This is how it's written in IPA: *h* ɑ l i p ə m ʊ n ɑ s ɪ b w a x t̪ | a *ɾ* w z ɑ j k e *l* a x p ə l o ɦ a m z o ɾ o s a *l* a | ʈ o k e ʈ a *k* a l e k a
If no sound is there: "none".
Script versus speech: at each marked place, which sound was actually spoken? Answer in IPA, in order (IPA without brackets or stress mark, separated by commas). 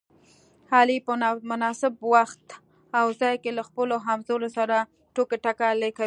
h, none, l, ɾ, k